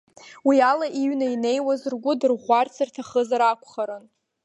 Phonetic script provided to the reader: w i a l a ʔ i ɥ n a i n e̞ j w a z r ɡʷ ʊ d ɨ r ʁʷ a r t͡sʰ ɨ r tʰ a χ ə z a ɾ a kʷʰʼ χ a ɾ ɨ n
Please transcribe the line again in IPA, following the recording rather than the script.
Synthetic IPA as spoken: w i a l a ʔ i ɥ n a i n e̞ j w a z r ɡʷ ʊ d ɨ r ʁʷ a r t͡sʰ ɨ r tʰ a χ ə z a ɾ a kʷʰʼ χ a ɾ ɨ n

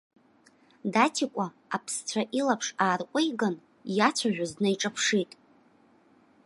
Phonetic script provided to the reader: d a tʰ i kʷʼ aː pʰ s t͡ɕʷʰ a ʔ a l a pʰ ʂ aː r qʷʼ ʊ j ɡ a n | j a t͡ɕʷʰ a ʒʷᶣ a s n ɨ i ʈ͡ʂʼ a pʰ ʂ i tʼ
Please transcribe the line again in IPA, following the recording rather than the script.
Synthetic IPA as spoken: d a tʰ i kʷʼ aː pʰ s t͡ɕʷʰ a ʔ i l a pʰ ʂ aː r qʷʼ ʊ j ɡ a n | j a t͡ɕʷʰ a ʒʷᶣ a z n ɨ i ʈ͡ʂʼ a pʰ ʂ i tʼ

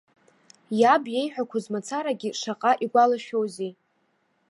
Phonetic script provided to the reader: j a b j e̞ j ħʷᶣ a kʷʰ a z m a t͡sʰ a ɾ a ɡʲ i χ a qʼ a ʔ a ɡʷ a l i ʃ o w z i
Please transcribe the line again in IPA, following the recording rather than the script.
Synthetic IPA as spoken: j a b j e̞ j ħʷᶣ a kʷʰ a z m a t͡sʰ a ɾ a ɡʲ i ʂ a qʼ a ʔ i ɡʷ a l a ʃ o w z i

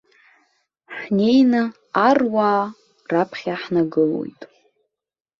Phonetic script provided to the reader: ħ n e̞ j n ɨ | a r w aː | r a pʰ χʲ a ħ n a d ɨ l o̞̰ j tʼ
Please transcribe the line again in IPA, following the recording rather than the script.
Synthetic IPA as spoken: ħ n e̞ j n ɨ | a r w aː | r a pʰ χʲ a ħ n a ɡ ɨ l o̞̰ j tʼ

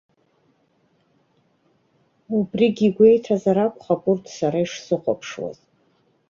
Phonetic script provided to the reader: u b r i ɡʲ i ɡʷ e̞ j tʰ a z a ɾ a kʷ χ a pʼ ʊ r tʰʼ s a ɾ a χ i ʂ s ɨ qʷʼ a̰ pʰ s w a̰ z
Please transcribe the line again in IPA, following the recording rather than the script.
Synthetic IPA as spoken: u b r i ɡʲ i ɡʷ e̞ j tʰ a z a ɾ a kʷ χ a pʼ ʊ r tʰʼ s a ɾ a i ʂ s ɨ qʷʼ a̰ pʰ ʂ w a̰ z

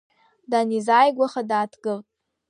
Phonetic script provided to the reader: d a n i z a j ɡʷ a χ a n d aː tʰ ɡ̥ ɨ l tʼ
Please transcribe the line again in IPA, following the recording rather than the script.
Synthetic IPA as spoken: d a n i z a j ɡʷ a χ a d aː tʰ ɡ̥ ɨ l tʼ

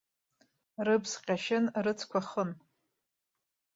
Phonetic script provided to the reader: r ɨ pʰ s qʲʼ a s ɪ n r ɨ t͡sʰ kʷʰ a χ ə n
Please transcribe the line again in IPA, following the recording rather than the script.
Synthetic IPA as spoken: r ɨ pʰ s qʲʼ a ʃ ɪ n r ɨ t͡sʰ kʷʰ a χ ə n

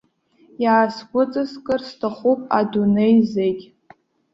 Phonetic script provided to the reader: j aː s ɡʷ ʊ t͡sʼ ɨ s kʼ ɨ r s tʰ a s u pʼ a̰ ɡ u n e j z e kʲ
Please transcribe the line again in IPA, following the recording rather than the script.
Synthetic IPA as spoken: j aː s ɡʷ ʊ t͡sʼ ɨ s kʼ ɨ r s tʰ a χ u pʼ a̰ d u n e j z e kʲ

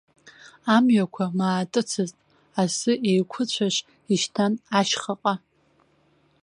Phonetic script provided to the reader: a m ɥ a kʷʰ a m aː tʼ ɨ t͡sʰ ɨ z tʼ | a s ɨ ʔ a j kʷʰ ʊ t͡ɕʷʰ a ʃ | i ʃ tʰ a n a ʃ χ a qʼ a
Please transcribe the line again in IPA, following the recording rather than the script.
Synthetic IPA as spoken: a m ɥ a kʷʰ a m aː tʼ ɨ t͡sʰ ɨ z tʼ | a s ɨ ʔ e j kʷʰ ʊ t͡ɕʷʰ a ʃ | i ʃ tʰ a n a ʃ χ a qʼ a

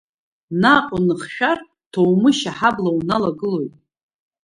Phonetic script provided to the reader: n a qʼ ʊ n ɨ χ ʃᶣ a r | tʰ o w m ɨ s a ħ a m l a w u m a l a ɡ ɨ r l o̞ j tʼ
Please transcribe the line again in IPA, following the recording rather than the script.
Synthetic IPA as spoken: n a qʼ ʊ n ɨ χ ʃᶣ a r | tʰ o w m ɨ ʃ a ħ a b l a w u n a l a ɡ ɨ l o̞ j tʼ

